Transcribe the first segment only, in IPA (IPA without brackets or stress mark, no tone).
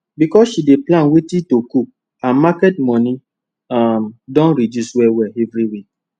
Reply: b